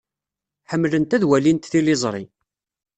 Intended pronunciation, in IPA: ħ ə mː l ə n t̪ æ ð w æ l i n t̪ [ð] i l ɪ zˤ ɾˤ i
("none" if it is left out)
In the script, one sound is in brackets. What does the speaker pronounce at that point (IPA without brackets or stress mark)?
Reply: θ